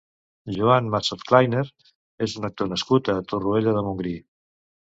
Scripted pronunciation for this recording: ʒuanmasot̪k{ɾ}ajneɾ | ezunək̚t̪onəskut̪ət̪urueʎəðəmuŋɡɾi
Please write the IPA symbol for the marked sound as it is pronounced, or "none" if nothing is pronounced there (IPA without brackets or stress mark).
l